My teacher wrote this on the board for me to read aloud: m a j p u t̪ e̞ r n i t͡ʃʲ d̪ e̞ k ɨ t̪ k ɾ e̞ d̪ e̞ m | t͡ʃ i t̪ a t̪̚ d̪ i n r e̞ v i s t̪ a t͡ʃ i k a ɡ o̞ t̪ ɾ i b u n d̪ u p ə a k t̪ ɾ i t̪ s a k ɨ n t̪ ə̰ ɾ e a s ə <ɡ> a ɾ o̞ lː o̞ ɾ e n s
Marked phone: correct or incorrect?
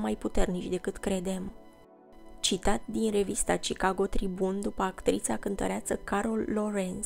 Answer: incorrect: k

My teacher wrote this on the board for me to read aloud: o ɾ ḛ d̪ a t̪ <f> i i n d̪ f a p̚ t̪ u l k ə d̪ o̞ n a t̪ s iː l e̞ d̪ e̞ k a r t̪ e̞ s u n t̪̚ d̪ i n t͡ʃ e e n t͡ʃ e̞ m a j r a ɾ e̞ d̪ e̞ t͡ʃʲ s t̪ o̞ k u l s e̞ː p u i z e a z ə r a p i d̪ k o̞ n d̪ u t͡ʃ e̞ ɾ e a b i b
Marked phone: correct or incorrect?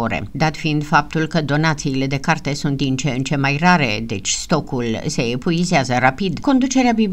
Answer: correct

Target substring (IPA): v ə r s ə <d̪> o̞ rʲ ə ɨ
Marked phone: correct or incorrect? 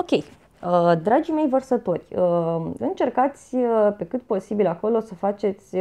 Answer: incorrect: t̪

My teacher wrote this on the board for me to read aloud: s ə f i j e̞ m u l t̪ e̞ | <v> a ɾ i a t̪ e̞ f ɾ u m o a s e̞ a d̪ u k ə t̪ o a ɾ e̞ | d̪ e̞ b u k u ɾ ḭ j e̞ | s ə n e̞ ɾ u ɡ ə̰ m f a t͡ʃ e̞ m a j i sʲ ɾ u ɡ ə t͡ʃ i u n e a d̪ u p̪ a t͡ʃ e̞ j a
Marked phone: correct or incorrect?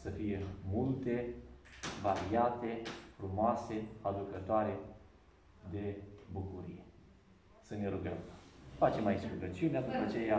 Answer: correct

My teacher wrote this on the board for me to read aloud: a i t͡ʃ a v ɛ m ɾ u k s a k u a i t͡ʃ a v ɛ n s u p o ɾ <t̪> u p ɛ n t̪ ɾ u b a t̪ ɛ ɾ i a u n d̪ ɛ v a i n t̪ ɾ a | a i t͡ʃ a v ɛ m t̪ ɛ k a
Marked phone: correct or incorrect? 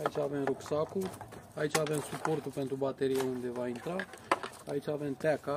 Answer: correct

